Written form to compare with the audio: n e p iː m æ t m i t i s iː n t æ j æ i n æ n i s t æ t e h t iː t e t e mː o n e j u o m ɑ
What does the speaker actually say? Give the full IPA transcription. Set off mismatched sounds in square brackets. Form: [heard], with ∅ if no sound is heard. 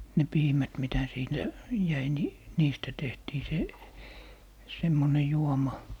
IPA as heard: n e p iː m æ t m i t [æ] s iː n t æ j æ i n [i] n [iː] s t æ t e h t iː [s] e [s] e mː o n e j u o m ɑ